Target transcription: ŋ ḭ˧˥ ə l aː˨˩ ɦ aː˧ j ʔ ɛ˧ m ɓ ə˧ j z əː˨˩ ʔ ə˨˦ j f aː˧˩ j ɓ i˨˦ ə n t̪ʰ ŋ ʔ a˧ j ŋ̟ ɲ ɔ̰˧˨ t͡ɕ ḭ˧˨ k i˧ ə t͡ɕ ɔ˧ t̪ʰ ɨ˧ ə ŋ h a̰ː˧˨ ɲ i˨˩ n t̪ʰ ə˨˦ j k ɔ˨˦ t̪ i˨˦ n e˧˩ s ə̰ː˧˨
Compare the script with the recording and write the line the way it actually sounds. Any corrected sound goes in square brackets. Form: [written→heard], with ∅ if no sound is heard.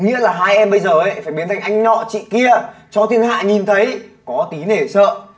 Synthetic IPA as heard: ŋ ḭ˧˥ ə l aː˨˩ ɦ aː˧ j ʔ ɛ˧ m ɓ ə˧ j z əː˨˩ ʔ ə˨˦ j f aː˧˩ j ɓ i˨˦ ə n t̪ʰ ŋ ʔ a˧ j ŋ̟ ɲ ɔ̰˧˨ t͡ɕ ḭ˧˨ k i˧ ə t͡ɕ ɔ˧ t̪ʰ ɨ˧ ə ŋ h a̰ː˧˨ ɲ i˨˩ n t̪ʰ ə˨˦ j k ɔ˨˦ t̪ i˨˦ n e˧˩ s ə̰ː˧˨